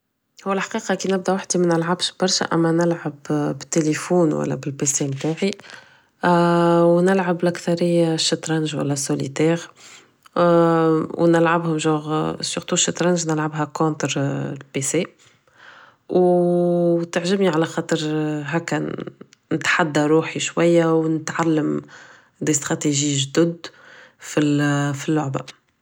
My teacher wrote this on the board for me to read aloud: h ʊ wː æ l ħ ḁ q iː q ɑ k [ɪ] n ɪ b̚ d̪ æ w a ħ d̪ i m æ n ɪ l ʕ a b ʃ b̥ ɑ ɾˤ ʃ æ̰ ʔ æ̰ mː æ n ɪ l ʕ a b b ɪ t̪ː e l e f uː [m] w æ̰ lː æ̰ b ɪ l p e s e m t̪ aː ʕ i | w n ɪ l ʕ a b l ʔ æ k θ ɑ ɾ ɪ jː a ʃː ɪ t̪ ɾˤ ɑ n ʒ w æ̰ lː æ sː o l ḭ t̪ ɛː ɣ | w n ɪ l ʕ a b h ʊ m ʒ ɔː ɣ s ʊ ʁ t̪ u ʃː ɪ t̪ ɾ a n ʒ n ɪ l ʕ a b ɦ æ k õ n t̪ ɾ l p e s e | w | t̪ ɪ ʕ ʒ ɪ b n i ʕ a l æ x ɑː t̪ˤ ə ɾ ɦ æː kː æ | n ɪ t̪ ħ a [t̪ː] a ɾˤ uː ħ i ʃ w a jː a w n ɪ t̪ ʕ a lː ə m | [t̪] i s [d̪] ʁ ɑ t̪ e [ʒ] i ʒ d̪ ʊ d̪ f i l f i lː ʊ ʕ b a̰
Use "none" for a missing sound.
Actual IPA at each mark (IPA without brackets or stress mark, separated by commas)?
i, n, d̪ː, d̪, t̪, ʒ